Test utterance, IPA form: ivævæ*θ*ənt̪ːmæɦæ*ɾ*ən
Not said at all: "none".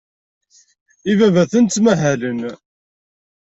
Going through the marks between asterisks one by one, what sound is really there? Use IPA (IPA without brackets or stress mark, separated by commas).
θ, l